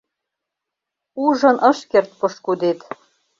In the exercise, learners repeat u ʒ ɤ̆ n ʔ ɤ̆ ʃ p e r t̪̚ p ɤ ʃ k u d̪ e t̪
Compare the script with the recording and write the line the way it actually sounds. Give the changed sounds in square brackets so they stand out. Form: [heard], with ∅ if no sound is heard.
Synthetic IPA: u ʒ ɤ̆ n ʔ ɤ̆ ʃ [k] e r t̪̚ p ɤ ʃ k u d̪ e t̪